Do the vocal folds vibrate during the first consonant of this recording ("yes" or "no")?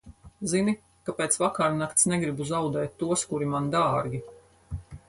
yes